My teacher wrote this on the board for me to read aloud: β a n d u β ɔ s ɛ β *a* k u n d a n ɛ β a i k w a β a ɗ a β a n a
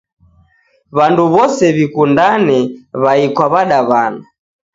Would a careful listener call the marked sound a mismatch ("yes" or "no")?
yes